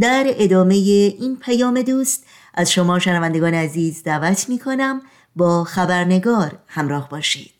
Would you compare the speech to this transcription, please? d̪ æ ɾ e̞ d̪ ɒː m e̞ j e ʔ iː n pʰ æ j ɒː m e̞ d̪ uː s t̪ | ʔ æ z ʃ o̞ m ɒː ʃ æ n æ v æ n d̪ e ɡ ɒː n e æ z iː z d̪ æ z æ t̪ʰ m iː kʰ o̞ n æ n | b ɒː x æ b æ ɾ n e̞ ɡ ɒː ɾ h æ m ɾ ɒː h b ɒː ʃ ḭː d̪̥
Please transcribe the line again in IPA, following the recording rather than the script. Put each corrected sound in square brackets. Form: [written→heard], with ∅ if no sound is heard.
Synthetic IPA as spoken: d̪ æ ɾ e̞ d̪ ɒː m e̞ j e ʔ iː n pʰ æ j ɒː m e̞ d̪ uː s t̪ | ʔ æ z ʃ o̞ m ɒː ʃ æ n æ v æ n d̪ e ɡ ɒː n e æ z iː z d̪ æ [z→v] æ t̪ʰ m iː kʰ o̞ n æ [n→m] | b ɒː x æ b æ ɾ n e̞ ɡ ɒː ɾ h æ m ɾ ɒː h b ɒː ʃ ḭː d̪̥